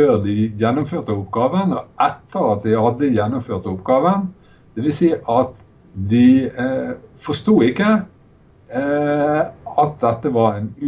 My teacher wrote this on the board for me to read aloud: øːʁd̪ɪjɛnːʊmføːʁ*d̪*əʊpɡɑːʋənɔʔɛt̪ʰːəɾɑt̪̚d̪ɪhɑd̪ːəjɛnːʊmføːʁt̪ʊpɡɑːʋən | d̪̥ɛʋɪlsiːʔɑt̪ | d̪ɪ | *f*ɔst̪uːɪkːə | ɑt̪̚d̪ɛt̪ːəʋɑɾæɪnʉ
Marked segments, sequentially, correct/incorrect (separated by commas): incorrect, correct